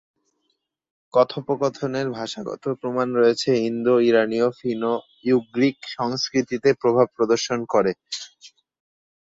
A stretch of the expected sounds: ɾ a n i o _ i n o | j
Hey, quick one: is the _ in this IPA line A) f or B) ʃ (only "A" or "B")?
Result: A